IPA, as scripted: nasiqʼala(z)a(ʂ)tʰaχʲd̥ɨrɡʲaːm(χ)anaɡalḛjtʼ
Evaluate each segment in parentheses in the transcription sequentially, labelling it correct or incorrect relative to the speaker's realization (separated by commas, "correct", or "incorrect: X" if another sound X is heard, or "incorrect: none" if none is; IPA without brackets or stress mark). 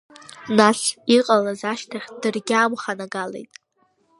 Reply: correct, incorrect: ʃ, correct